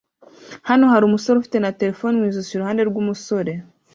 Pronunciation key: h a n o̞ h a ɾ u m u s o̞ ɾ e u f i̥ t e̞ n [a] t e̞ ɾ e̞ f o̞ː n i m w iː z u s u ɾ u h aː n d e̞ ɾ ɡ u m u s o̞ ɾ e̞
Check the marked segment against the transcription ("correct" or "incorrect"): correct